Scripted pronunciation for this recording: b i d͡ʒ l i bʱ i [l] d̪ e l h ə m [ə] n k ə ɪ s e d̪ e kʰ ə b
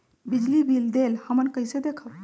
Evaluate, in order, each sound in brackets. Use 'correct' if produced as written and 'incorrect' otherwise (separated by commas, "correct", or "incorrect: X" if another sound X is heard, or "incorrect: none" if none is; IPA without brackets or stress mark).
correct, correct